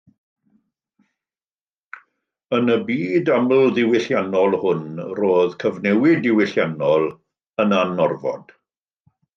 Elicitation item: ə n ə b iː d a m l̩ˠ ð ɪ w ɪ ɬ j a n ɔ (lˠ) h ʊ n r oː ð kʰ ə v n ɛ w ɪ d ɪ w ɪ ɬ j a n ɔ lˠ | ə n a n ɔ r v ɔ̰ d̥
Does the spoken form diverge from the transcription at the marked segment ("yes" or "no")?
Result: no